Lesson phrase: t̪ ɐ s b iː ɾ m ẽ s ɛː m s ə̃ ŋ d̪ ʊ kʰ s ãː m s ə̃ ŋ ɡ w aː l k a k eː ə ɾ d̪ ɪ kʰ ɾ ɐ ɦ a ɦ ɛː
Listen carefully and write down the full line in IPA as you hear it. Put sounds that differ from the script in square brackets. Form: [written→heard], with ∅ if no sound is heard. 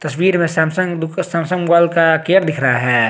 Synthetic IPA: t̪ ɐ s [b→w] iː ɾ m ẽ s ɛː m s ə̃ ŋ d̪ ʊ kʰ s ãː m s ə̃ ŋ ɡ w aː l k a k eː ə ɾ d̪ ɪ kʰ ɾ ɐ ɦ a ɦ ɛː